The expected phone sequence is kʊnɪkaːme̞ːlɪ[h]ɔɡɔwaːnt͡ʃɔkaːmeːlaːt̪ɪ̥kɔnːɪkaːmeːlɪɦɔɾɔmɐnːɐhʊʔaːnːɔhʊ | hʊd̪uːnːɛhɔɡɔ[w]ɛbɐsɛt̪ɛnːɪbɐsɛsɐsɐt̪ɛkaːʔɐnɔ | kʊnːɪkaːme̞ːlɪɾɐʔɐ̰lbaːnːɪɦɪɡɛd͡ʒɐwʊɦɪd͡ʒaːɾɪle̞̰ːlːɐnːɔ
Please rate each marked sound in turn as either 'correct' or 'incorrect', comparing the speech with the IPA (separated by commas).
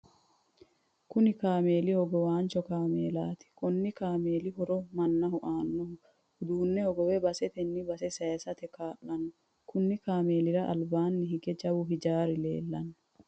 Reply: correct, correct